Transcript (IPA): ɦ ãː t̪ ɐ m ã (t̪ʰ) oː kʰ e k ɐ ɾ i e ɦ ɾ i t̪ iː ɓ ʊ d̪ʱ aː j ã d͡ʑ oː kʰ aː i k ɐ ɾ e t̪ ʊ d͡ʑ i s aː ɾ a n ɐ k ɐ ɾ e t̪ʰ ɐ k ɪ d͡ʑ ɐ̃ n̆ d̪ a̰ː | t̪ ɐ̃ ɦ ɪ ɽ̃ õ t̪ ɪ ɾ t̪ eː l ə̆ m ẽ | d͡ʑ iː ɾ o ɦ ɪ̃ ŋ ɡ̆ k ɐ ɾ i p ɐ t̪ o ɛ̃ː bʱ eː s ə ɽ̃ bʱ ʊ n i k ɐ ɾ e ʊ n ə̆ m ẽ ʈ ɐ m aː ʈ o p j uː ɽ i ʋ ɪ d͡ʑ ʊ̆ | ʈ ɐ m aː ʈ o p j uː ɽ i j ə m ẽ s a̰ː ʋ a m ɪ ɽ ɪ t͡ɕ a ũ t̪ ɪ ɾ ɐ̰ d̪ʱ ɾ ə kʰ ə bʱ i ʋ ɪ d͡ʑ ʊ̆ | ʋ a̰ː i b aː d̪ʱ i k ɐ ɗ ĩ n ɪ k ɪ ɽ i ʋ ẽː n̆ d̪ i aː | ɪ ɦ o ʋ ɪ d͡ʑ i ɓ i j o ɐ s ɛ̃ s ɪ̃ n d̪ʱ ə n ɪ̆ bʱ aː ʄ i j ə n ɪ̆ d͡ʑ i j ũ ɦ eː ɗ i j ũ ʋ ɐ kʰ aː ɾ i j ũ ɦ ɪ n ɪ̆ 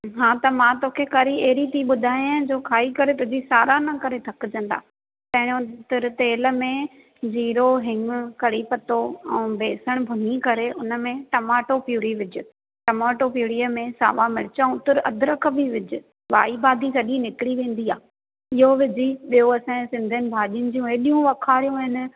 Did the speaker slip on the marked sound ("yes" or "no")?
yes